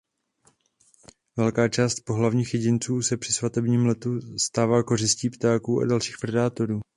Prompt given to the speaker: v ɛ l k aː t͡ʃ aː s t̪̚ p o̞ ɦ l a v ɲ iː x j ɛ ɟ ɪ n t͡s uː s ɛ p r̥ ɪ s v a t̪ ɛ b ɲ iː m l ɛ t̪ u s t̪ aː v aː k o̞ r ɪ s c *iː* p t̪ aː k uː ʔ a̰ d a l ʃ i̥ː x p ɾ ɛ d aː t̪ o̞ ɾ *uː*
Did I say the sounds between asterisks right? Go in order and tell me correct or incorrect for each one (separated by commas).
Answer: correct, correct